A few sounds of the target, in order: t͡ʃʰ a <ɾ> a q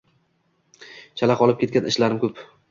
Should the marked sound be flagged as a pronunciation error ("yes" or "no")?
yes